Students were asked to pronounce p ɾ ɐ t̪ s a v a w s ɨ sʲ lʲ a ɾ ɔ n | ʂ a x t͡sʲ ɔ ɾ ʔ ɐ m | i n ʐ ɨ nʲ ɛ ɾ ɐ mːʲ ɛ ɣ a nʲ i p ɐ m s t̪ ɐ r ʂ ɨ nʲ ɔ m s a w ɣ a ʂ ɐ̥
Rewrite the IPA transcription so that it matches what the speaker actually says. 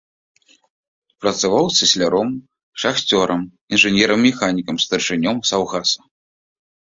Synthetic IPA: p ɾ ɐ t̪ s a v a w s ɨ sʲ lʲ a ɾ ɔ m | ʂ a x t͡sʲ ɔ ɾ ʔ ɐ m | i n ʐ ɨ nʲ ɛ ɾ ɐ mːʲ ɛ x a nʲ i k ɐ m s t̪ ɐ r ʂ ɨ nʲ ɔ m s a w ɣ a s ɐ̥